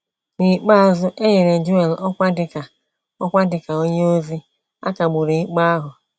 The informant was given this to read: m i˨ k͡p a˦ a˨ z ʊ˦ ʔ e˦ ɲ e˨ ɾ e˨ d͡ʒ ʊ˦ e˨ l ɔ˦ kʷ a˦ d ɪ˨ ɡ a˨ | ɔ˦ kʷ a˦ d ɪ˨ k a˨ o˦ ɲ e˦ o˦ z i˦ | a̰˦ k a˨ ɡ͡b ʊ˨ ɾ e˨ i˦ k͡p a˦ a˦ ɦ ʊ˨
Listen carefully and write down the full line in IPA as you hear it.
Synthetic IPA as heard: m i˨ k͡p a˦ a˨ z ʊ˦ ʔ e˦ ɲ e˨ ɾ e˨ d͡ʒ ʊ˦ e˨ l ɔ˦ kʷ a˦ d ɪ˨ k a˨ | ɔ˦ kʷ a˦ d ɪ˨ k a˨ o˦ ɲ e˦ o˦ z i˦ | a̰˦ k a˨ ɡ͡b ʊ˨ ɾ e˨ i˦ k͡p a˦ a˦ ɦ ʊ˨